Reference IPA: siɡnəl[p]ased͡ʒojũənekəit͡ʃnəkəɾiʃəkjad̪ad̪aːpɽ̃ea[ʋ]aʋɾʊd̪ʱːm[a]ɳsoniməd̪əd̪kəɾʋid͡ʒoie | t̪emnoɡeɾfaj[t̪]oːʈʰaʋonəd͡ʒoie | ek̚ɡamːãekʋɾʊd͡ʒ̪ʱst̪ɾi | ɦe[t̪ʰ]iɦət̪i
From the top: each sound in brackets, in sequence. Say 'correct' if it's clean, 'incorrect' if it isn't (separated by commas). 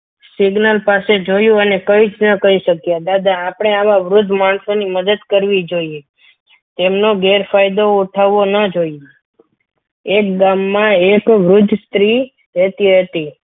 correct, correct, correct, incorrect, incorrect